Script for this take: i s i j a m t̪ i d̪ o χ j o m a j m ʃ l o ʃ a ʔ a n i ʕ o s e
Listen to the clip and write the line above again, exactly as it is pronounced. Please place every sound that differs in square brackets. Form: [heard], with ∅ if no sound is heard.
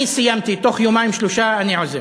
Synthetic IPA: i s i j a m t̪ i [t̪] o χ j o m a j m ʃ l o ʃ a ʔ a n i ʕ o [z] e